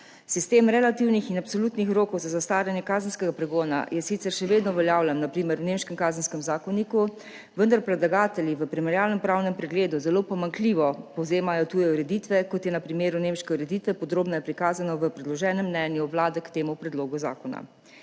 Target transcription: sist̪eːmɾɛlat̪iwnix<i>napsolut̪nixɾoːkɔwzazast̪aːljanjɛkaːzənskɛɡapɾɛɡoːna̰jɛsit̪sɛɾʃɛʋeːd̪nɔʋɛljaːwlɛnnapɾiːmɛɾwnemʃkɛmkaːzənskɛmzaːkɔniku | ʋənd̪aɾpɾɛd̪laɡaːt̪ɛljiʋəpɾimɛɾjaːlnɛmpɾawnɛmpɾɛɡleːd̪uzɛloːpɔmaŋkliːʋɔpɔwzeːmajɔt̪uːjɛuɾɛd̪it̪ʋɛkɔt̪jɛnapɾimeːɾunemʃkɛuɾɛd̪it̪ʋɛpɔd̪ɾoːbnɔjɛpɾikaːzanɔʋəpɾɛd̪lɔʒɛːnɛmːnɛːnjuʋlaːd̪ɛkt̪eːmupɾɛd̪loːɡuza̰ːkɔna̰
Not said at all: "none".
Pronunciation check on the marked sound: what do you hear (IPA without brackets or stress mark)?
i